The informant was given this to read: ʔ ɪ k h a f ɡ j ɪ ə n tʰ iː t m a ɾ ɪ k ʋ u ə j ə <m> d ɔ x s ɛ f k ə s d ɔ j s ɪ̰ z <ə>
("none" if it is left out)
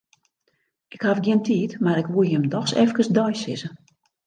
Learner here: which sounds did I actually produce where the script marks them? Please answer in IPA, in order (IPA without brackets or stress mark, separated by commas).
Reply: m, ə